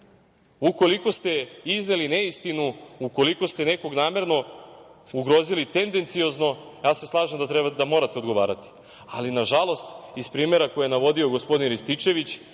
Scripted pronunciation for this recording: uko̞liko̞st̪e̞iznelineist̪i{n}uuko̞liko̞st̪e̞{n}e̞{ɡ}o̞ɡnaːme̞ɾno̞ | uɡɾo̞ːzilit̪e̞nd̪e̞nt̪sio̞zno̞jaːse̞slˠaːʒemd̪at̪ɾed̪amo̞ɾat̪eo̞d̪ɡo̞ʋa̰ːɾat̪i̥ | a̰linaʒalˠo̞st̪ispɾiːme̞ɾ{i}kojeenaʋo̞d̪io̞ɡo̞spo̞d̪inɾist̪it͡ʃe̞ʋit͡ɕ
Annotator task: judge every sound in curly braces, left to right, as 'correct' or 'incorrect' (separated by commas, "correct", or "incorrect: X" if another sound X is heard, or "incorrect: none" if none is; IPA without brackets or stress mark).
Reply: correct, correct, incorrect: k, incorrect: a